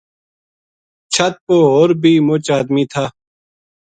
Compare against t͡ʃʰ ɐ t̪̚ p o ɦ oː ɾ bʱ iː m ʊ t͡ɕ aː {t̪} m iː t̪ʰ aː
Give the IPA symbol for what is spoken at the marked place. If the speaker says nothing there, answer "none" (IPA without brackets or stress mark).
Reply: d̪